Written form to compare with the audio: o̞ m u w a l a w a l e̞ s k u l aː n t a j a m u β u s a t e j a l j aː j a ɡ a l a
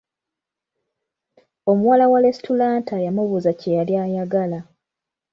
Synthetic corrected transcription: o̞ m u w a l a w a l e̞ s t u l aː n t a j a m u β u z a c e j a l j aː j a ɡ a l a